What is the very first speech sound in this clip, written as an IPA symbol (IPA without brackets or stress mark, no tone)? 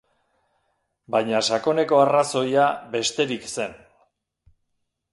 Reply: b